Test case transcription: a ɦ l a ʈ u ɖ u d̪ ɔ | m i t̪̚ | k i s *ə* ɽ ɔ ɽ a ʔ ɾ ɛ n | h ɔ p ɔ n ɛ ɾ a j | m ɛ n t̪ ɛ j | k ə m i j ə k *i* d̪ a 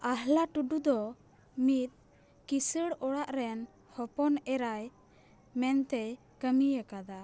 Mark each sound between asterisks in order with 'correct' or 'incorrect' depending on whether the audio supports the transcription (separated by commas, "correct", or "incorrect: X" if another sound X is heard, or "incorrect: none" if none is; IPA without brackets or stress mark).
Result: correct, incorrect: a